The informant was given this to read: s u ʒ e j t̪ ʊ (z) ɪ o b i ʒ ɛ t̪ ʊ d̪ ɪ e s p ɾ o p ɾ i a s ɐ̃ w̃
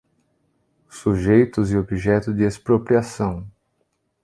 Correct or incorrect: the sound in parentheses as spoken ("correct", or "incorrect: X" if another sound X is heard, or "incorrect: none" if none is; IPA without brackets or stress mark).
correct